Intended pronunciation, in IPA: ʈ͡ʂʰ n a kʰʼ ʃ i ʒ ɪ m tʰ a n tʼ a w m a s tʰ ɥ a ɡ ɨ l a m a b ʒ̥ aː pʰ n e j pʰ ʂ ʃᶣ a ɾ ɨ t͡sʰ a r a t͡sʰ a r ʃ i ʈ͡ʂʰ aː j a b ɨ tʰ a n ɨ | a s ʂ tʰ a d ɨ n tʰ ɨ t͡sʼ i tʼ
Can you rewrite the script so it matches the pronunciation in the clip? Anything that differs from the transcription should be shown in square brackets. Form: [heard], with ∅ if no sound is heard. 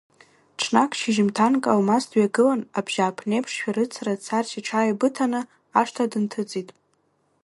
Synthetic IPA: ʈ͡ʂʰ n a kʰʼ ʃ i ʒ ɪ m tʰ a n [kʼ] a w m a s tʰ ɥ a ɡ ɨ l a [n] a b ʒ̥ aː pʰ n e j pʰ ʂ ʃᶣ a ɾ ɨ t͡sʰ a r a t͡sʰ a r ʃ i ʈ͡ʂʰ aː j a b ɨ tʰ a n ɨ | a [∅] ʂ tʰ a d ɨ n tʰ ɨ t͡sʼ i tʼ